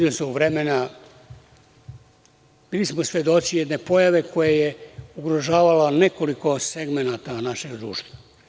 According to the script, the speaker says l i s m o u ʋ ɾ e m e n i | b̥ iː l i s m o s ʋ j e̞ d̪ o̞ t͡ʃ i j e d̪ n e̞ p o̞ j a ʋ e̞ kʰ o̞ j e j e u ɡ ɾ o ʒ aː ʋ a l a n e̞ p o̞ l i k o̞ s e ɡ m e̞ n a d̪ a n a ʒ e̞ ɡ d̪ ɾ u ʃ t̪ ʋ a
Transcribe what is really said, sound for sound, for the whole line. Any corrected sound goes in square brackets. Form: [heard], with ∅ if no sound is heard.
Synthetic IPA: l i s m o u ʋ ɾ e m e n [a] | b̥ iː l i s m o s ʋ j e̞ d̪ o̞ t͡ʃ i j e d̪ n e̞ p o̞ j a ʋ e̞ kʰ o̞ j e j e u ɡ ɾ o ʒ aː ʋ a l a n e̞ [k] o̞ l i k o̞ s e ɡ m e̞ n a [t̪] a n a [ʃ] e̞ ɡ d̪ ɾ [uː] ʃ t̪ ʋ a